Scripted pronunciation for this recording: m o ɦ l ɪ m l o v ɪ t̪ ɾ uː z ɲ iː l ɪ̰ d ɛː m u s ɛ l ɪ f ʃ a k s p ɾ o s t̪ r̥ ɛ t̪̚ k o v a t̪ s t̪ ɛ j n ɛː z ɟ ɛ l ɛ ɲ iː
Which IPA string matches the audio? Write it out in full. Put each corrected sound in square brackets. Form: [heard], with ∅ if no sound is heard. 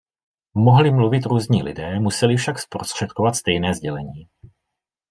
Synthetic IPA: m o ɦ l ɪ m l [u] v ɪ t̪ ɾ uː z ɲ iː l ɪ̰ d ɛː m u s ɛ l ɪ f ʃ a k s p ɾ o s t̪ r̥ ɛ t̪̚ k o v a t̪ s t̪ ɛ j n ɛː z ɟ ɛ l ɛ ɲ iː